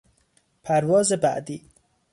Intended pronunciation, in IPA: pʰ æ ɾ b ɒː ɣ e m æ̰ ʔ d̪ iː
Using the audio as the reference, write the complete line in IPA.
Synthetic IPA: pʰ æ ɾ v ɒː z e b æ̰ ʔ d̪ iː